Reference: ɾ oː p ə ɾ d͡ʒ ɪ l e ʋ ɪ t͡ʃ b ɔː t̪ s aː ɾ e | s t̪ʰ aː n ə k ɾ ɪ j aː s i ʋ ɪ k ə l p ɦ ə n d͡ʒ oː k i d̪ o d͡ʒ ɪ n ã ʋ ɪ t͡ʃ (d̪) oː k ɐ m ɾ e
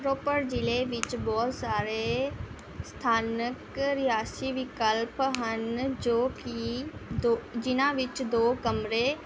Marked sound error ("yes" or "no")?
no